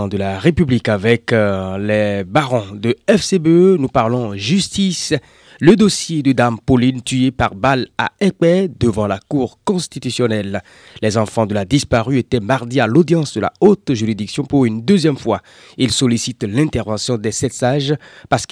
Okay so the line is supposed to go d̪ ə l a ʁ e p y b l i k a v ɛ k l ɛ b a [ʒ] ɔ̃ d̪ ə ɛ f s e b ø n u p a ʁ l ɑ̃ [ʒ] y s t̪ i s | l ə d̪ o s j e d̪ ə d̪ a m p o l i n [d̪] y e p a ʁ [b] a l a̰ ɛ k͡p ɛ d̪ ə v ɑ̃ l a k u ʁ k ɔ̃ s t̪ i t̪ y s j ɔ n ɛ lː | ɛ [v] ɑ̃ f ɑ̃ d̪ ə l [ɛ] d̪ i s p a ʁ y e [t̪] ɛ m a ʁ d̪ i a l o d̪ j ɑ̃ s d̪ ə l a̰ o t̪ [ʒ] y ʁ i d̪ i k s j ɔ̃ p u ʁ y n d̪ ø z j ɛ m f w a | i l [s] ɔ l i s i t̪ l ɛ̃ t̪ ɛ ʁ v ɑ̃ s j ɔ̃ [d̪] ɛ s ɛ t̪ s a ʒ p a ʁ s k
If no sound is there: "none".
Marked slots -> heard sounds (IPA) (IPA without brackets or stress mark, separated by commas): ʁ, ʒ, t̪, b, z, a, t̪, ʒ, s, d̪